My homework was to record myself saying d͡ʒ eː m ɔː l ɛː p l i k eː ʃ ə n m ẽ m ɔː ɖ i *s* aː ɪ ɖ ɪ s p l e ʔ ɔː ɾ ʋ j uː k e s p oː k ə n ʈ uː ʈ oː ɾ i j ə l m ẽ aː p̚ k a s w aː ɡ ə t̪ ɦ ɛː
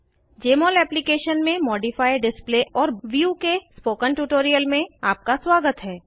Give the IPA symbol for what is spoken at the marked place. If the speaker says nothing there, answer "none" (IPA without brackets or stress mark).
f